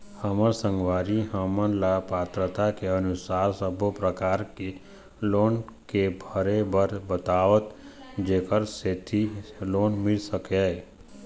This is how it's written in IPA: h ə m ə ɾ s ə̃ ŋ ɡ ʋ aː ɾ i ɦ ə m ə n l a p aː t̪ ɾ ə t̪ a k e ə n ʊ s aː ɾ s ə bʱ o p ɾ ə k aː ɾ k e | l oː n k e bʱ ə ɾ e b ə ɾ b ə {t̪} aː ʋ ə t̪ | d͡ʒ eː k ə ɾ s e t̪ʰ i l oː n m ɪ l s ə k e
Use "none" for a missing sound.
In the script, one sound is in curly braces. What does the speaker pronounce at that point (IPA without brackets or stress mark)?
t̪